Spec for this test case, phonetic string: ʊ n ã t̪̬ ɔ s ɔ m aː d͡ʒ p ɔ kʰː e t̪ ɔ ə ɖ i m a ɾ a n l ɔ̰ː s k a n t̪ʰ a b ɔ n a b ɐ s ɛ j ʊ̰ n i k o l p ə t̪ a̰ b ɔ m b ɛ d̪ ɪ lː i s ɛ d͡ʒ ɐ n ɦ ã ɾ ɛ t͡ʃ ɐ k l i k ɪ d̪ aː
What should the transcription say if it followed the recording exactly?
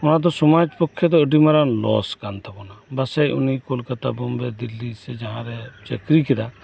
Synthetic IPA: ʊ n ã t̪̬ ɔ s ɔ m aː d͡ʒ p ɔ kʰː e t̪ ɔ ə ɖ i m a ɾ a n l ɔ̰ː s k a n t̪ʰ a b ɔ n a b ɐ s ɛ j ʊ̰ n i k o l k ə t̪ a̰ b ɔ m b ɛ d̪ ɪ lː i s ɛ d͡ʒ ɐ ɦ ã ɾ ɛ t͡ʃ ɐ k ɾ i k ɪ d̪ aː